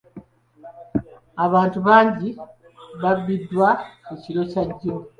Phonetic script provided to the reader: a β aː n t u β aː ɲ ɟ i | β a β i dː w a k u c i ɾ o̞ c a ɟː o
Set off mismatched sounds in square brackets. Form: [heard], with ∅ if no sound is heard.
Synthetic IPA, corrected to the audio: a β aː n t u β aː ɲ ɟ i | β a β i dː w a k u c i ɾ o̞ c a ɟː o